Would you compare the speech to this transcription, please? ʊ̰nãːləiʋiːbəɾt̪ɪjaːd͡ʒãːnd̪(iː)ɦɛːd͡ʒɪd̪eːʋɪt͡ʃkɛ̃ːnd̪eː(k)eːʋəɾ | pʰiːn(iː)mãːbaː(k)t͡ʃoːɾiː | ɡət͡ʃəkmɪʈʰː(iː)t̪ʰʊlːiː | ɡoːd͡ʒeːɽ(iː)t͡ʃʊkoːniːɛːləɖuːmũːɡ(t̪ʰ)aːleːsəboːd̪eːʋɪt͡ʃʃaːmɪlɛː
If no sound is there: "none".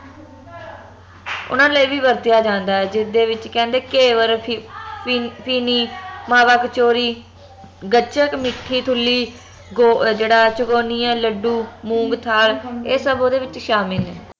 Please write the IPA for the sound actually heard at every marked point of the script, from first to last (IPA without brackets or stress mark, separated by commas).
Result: aː, k, iː, k, iː, aː, t̪ʰ